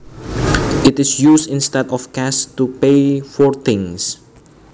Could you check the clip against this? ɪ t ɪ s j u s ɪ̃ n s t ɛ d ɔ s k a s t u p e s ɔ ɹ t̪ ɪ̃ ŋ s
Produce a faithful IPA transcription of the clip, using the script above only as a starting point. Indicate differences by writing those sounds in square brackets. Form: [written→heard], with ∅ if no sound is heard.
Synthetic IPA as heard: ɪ t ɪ s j u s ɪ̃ n s t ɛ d ɔ [s→f] k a s t u p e [s→f] ɔ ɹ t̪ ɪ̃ ŋ s